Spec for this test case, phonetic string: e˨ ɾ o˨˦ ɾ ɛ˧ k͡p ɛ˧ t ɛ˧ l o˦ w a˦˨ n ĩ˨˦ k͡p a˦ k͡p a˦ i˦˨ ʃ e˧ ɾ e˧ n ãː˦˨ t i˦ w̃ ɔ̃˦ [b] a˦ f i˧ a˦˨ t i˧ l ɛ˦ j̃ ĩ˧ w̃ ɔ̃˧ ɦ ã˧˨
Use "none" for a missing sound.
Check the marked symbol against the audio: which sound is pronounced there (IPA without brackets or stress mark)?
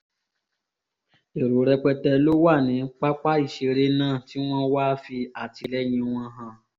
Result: w